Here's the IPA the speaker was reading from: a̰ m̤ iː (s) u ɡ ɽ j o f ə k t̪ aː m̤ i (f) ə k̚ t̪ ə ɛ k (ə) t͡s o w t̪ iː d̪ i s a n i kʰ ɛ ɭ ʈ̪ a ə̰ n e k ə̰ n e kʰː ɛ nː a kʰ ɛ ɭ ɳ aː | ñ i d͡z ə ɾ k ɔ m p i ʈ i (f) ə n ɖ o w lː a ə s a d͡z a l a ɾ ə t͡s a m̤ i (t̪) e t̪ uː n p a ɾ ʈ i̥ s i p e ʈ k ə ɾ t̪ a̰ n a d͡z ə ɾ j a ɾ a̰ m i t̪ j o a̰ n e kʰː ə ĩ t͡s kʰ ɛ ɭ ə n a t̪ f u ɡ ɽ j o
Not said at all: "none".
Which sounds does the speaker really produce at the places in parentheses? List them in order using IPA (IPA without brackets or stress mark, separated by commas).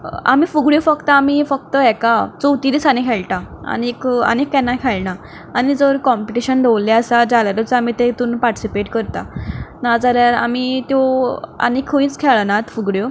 f, f, a, ɕ, t̪